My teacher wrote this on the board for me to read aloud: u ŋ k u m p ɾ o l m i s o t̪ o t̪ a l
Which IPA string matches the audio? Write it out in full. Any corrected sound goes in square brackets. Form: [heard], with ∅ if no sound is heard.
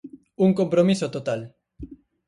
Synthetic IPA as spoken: u ŋ k [o] m p ɾ o [∅] m i s o t̪ o t̪ a l